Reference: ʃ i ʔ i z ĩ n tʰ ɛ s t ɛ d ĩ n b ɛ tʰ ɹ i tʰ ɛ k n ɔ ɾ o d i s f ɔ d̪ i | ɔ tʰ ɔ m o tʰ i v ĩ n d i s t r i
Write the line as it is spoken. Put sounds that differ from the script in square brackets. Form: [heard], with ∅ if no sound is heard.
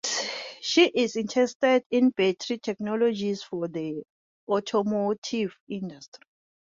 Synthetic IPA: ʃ i ʔ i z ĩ n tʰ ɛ s t ɛ d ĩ n b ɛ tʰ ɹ i tʰ ɛ k n ɔ [l] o [d͡ʒ] i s f ɔ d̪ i | ɔ tʰ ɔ m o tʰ i v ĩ n d [a] s t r i